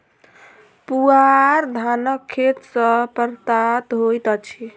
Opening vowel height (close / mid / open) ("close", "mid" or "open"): close